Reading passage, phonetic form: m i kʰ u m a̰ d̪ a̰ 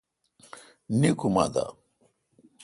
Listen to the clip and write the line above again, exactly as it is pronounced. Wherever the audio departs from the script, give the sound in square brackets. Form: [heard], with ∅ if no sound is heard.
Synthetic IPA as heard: [n] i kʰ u m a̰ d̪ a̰